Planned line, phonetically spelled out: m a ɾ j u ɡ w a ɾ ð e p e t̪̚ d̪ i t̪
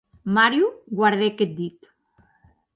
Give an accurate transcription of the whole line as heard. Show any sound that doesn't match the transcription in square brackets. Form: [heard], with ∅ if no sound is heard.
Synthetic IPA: m a ɾ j u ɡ w a ɾ ð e [k] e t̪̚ d̪ i t̪